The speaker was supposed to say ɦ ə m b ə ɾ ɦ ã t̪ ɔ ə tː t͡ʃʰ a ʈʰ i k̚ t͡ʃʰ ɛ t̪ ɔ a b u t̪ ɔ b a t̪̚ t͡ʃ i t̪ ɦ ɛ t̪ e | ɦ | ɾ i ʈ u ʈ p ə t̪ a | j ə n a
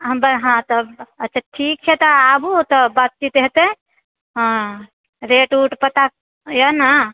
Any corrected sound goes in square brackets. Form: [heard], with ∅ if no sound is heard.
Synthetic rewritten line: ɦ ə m b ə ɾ ɦ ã t̪ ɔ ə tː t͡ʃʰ a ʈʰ i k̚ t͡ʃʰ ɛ t̪ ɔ a b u t̪ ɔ b a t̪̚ t͡ʃ i t̪ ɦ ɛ t̪ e | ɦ | ɾ [e] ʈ u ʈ p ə t̪ a | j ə n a